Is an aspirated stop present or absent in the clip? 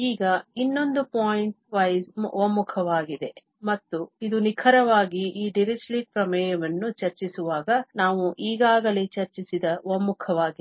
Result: present